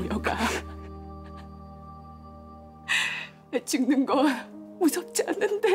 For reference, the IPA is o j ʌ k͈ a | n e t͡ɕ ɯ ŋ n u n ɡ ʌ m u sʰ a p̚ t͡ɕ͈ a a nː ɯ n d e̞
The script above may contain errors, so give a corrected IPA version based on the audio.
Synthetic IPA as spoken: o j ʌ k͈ a | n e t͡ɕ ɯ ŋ n ɯ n ɡ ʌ m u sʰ ʌ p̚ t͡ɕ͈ i a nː ɯ n d e̞